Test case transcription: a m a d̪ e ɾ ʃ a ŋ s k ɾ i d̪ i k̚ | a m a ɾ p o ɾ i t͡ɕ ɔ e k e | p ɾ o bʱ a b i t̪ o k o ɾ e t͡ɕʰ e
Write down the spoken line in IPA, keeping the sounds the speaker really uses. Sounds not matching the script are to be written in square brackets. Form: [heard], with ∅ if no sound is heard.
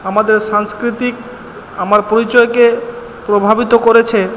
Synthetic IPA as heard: a m a d̪ e ɾ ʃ a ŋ s k ɾ i [t̪] i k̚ | a m a ɾ p o ɾ i t͡ɕ ɔ e k e | p ɾ o bʱ a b i t̪ o k o ɾ e t͡ɕʰ e